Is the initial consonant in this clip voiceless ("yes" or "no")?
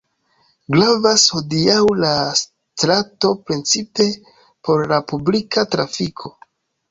no